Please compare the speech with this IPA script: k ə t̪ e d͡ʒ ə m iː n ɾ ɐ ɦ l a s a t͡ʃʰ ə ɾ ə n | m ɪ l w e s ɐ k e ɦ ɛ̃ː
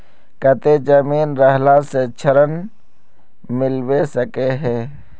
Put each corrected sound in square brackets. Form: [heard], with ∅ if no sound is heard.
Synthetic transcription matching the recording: k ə t̪ e d͡ʒ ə m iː n ɾ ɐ ɦ l a s [e] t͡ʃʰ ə ɾ ə n | m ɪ l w e s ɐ k e ɦ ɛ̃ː